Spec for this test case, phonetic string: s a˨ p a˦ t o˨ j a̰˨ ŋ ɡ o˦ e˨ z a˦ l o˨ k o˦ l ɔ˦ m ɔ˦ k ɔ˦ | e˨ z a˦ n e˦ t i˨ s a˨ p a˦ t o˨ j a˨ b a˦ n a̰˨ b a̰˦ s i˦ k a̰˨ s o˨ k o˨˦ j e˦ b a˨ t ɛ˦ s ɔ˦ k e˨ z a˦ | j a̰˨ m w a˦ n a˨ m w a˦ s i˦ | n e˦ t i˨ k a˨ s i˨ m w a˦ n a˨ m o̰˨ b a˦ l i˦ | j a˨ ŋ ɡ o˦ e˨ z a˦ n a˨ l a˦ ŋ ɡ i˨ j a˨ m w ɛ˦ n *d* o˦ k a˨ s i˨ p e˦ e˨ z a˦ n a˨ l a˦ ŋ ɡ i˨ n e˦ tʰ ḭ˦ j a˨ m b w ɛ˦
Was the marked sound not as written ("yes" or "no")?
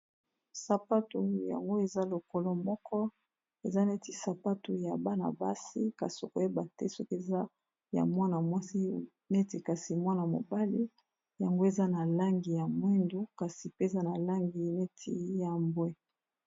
no